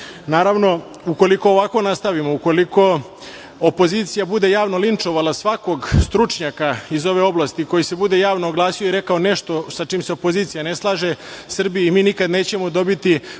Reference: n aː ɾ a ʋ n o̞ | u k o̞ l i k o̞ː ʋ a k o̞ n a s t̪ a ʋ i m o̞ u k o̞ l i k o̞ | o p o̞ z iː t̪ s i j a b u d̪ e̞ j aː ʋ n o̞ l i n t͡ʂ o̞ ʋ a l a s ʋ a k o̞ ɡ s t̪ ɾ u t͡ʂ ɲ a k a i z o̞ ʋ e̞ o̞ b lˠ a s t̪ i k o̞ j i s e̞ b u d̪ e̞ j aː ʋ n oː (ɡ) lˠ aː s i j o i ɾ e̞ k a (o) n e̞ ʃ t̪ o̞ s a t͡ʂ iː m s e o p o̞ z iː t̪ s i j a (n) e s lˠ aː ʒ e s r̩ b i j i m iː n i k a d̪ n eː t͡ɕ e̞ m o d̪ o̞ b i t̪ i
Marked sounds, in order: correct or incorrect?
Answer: correct, correct, correct

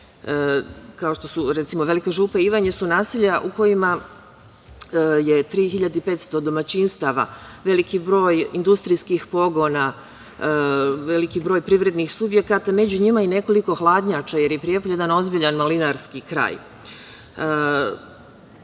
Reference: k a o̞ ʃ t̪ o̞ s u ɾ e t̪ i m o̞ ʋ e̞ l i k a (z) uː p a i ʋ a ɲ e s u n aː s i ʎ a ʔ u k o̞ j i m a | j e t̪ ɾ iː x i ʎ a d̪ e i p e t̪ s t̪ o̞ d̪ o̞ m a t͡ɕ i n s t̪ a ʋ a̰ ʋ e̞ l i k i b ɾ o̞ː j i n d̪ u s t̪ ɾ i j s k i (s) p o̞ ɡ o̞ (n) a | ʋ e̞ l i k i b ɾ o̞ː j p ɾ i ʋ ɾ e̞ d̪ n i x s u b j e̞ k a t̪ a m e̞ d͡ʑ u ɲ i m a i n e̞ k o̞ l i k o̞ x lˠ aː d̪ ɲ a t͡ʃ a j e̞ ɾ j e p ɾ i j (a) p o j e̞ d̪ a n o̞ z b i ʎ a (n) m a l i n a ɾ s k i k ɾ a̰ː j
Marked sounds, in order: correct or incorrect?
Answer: incorrect: ʒ, incorrect: x, correct, incorrect: e, correct

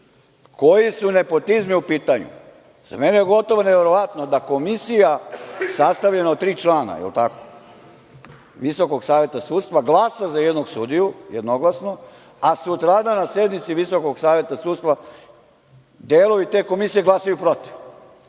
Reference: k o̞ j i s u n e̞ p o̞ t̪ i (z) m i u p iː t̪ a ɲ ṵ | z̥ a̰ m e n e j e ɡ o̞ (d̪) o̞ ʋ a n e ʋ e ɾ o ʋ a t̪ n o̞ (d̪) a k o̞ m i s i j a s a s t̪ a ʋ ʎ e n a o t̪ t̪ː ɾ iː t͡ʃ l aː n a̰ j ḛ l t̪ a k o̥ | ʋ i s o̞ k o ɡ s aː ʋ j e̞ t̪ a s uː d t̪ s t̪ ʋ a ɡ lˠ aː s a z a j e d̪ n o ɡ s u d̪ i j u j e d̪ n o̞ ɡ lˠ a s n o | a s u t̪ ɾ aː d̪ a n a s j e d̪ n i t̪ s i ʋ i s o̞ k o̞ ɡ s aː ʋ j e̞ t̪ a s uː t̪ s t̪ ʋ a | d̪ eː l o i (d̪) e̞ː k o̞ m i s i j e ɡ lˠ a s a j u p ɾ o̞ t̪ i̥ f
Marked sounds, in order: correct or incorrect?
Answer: correct, incorrect: t̪, correct, incorrect: t̪

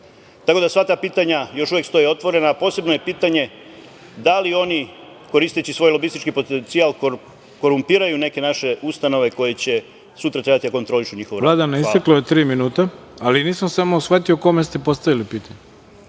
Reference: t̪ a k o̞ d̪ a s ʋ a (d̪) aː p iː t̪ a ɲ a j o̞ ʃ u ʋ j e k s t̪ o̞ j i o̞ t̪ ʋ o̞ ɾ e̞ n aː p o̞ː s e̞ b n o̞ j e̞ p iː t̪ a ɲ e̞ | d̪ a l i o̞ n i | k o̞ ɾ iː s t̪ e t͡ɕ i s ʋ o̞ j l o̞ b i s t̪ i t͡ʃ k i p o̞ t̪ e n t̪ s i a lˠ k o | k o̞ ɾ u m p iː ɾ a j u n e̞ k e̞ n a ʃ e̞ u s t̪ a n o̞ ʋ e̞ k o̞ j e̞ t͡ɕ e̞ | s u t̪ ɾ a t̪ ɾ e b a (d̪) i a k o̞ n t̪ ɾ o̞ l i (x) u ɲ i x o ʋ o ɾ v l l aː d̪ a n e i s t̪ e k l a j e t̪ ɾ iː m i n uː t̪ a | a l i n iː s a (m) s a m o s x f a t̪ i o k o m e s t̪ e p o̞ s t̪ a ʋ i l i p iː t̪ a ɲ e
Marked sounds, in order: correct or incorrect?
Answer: incorrect: t̪, incorrect: t̪, incorrect: ʃ, correct

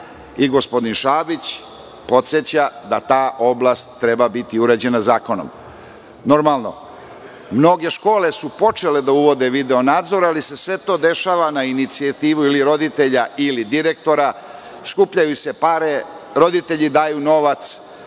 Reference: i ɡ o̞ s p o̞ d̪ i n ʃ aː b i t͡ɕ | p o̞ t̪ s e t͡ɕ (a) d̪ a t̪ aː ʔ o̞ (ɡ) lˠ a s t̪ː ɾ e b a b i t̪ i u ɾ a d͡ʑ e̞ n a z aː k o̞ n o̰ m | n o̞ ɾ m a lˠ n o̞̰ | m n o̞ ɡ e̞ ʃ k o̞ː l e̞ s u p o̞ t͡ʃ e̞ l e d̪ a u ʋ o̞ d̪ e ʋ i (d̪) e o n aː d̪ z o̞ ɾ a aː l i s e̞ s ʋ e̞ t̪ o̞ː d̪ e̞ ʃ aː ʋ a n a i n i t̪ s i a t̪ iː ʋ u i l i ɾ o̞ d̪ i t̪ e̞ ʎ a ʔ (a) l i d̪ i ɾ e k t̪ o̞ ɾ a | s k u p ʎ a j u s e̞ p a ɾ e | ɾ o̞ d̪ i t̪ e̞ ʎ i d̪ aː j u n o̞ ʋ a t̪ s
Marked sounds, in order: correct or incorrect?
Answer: correct, incorrect: b, correct, incorrect: i

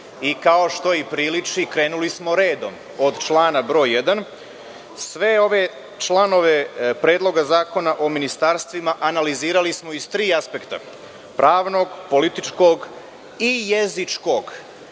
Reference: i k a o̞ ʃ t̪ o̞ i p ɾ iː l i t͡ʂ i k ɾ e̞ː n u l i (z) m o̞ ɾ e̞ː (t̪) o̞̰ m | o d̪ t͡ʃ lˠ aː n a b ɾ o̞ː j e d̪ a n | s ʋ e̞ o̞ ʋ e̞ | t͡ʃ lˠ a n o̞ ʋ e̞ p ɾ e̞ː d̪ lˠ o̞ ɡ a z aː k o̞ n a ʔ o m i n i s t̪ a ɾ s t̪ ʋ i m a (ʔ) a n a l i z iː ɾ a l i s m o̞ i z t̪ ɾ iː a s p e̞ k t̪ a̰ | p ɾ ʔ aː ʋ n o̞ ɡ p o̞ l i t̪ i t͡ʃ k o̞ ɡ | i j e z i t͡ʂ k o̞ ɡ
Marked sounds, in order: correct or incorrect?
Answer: incorrect: s, incorrect: d̪, correct

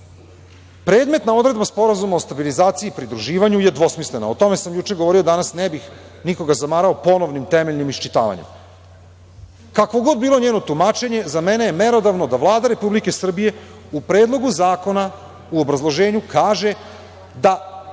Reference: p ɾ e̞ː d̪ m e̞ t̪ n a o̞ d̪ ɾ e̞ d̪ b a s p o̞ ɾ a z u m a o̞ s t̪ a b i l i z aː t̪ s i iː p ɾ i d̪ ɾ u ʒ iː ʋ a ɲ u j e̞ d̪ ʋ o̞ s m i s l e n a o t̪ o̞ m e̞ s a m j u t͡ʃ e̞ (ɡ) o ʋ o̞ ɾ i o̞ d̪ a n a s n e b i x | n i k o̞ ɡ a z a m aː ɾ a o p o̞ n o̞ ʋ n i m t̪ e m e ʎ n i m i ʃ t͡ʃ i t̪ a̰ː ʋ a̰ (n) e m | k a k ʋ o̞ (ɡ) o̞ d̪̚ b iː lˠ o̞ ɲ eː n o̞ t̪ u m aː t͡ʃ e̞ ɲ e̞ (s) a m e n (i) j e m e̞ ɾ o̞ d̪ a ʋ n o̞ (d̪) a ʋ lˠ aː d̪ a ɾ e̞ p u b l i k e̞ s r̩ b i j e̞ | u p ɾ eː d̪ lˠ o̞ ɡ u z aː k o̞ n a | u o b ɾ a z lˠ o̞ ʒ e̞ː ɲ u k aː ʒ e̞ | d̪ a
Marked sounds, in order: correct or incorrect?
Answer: correct, incorrect: ɲ, correct, incorrect: z, incorrect: e, correct

